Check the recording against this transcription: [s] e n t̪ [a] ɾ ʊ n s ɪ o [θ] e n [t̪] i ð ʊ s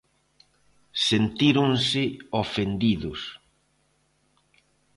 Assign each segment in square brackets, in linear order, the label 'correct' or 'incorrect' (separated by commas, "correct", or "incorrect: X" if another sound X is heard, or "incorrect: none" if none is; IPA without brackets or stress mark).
correct, incorrect: i, incorrect: f, incorrect: d̪